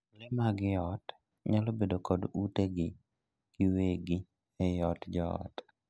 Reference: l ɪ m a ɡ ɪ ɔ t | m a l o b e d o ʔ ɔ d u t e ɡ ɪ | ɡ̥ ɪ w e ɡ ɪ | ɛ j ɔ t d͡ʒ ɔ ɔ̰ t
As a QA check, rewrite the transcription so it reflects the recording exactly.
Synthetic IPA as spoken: l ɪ m a ɡ ɪ ɔ t | ɲ a l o b e d o k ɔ d u t e ɡ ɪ | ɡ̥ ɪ w e ɡ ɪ | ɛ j ɔ t d͡ʒ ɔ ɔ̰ t